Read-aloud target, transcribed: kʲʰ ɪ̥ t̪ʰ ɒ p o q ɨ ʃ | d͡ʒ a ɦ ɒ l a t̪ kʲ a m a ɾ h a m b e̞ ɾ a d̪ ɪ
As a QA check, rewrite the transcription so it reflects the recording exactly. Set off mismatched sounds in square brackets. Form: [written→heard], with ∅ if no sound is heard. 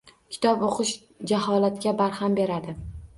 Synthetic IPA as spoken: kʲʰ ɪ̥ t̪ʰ ɒ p o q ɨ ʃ | d͡ʒ a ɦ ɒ l a t̪ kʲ a [m→b] a ɾ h a m b e̞ ɾ a d̪ ɪ